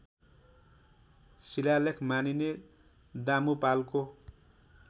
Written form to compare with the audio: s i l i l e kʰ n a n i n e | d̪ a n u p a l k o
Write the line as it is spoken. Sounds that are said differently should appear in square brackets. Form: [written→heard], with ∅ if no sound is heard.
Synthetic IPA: s i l [i→a] l e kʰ [n→m] a n i n e | d̪ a [n→m] u p a l k o